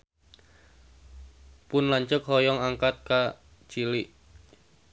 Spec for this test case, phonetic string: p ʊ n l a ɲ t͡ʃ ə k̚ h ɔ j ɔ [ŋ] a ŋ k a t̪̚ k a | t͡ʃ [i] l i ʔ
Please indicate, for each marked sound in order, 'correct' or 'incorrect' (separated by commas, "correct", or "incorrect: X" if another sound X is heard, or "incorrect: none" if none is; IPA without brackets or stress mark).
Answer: correct, correct